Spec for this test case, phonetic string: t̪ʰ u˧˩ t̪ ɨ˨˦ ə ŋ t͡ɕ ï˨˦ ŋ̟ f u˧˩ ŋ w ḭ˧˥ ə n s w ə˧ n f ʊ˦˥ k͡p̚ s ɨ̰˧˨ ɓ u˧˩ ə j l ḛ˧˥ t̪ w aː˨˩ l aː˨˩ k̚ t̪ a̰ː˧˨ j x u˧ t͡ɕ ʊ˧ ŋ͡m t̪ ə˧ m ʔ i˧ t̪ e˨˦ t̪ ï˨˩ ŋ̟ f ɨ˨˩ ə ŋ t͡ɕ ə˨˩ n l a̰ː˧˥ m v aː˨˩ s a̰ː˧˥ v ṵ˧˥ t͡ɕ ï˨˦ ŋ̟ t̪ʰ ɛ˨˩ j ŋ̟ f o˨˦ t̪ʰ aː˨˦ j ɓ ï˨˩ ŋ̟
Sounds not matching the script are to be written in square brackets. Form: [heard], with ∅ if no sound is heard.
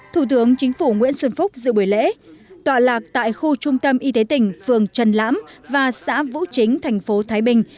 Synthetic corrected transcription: t̪ʰ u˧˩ t̪ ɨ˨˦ ə ŋ t͡ɕ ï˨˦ ŋ̟ f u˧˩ ŋ w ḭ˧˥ ə n s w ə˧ n f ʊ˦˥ k͡p̚ [z] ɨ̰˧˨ ɓ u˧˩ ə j l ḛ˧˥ t̪ w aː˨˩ l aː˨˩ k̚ t̪ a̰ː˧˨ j x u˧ t͡ɕ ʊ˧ ŋ͡m t̪ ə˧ m ʔ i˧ t̪ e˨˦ t̪ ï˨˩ ŋ̟ f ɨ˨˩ ə ŋ t͡ɕ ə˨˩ n l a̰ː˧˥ m v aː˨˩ s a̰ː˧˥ v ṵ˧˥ t͡ɕ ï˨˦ ŋ̟ t̪ʰ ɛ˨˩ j ŋ̟ f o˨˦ t̪ʰ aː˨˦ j ɓ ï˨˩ ŋ̟